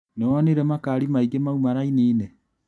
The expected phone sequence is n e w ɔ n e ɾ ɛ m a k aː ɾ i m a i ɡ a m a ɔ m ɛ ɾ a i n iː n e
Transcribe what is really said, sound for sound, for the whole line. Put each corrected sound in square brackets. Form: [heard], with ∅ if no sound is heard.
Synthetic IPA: n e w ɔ n e ɾ ɛ m a k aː ɾ i m a i ɡ [e] m a [u] m [a] ɾ a i n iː n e